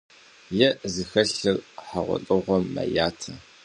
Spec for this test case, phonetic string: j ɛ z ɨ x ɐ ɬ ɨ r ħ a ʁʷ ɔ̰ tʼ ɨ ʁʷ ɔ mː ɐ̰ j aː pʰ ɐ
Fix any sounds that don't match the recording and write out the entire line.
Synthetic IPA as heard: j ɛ z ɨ x ɐ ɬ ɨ r ħ a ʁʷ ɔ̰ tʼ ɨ ʁʷ ɔ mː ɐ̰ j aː tʰ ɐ